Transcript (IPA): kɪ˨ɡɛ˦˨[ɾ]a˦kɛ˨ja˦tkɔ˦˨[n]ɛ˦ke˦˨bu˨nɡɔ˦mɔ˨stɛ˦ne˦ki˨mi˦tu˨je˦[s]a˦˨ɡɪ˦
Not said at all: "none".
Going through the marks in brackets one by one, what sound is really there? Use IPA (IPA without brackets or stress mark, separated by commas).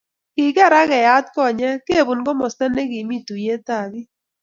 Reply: ɾ, ɲ, t